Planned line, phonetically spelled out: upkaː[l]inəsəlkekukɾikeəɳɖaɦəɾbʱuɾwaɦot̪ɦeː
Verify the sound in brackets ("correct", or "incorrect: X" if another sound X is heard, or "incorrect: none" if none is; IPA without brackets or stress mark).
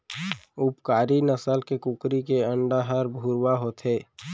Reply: incorrect: ɾ